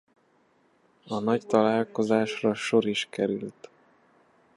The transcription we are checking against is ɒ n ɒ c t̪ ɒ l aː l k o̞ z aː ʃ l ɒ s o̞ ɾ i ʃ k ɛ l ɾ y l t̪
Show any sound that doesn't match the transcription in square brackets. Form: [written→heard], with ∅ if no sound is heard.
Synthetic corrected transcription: ɒ n ɒ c t̪ ɒ l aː l k o̞ z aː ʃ [l→r] ɒ [s→ʃ] o̞ ɾ i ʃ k ɛ [l→∅] ɾ y l t̪